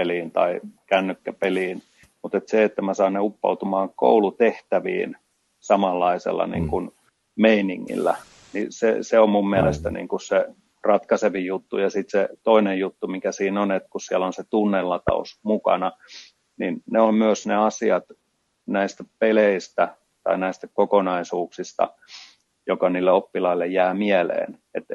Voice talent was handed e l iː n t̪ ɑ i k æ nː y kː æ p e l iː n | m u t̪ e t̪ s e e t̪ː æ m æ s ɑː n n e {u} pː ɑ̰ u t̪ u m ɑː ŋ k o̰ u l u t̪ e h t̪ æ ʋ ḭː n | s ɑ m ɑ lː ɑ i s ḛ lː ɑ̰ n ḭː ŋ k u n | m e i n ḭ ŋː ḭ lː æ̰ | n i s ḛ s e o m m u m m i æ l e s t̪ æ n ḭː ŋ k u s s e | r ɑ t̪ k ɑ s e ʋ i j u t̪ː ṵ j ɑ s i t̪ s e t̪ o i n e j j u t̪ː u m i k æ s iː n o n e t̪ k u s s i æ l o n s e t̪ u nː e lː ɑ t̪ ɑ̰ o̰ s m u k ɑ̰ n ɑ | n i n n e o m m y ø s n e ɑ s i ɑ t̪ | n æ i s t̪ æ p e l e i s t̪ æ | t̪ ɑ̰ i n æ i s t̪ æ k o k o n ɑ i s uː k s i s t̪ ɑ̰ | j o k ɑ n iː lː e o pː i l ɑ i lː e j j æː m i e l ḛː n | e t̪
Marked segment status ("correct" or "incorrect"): correct